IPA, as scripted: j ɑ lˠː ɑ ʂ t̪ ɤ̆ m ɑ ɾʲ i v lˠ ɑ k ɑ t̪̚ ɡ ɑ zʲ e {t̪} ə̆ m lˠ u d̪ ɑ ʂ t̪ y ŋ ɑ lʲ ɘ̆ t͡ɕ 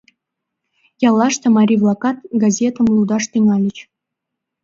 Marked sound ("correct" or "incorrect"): correct